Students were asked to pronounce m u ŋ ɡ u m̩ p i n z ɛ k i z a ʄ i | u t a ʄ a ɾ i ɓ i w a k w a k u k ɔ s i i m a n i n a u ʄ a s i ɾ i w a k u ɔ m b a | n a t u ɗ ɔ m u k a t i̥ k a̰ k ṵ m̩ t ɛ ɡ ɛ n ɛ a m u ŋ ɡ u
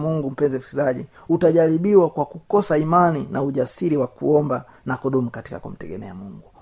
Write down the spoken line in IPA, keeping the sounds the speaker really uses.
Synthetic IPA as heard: m u ŋ ɡ u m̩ p ɛ n z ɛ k i z a ʄ i | u t a ʄ a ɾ i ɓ i w a k w a k u k ɔ s a i m a n i n a u ʄ a s i ɾ i w a k u ɔ m b a | n a k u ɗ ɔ m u k a t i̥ k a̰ k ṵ m̩ t ɛ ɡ ɛ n ɛ a m u ŋ ɡ u